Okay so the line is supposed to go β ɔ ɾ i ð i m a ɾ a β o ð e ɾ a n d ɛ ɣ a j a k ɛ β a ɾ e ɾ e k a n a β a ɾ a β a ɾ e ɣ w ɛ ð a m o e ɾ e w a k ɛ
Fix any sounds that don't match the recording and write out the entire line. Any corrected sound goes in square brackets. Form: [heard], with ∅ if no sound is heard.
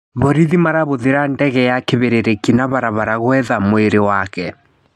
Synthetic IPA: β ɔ ɾ i ð i m a ɾ a β o ð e ɾ a n d ɛ ɣ [ɛ] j a k [e] β [e] ɾ e ɾ e k [i] n a β a ɾ a β a ɾ [a] ɣ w ɛ ð a m o e ɾ e w a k ɛ